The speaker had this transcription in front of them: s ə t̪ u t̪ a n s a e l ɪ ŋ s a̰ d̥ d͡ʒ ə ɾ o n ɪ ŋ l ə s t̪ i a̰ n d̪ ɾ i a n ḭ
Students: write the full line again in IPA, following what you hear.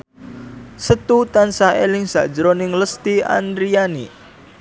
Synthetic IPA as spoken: s ə t̪ u t̪ a n s a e l ɪ ŋ s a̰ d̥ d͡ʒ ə ɾ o n ɪ ŋ l ə s t̪ i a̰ n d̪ ɾ i a n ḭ